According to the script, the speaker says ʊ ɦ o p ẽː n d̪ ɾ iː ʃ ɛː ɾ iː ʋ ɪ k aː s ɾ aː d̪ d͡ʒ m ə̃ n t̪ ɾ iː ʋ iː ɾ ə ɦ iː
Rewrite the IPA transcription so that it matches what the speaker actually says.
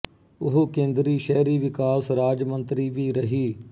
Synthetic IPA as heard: ʊ ɦ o k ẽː n d̪ ɾ iː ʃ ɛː ɾ iː ʋ ɪ k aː s ɾ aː d͡ʒ m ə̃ n t̪ ɾ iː ʋ iː ɾ ə ɦ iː